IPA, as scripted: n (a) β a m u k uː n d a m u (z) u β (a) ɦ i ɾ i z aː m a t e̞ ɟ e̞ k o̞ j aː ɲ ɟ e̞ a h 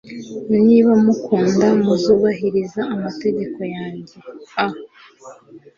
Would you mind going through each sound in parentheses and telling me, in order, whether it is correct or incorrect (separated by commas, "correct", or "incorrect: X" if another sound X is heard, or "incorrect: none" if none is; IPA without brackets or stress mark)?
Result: incorrect: i, correct, correct